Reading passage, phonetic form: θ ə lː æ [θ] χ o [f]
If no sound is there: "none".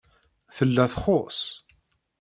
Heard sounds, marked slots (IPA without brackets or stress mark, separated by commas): θ, s